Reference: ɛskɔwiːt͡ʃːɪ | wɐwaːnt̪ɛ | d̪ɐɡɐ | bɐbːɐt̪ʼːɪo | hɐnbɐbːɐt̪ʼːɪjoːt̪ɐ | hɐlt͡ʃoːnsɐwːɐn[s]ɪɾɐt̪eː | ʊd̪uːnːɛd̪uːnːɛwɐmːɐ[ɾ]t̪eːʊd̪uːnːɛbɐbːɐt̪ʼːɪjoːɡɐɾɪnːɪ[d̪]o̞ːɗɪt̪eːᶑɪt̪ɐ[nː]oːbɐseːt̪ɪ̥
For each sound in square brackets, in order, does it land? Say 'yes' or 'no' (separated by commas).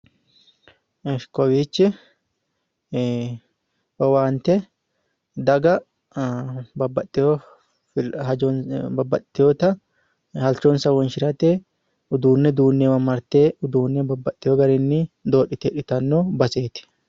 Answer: no, yes, yes, yes